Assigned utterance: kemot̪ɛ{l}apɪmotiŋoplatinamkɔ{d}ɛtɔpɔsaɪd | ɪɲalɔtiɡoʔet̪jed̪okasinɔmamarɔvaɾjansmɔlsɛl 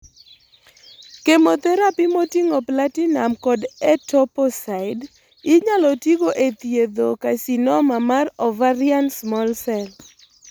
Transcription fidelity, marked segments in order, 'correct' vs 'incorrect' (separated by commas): incorrect, correct